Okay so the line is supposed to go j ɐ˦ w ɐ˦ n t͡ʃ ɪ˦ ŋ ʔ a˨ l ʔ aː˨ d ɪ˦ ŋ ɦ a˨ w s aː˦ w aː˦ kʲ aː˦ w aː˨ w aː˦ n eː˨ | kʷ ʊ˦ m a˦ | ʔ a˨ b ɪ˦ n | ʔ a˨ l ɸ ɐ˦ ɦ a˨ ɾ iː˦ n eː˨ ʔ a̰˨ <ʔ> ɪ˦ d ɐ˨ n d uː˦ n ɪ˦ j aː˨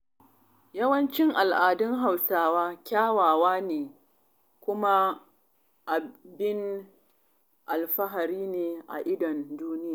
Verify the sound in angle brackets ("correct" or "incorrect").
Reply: correct